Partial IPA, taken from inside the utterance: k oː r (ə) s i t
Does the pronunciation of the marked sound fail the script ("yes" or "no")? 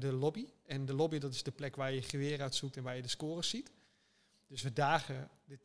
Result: no